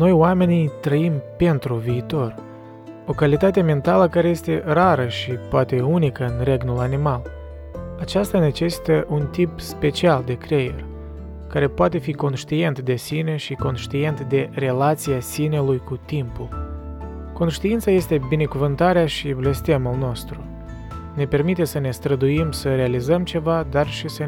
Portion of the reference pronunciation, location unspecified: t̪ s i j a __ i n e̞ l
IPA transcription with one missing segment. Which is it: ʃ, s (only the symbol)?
s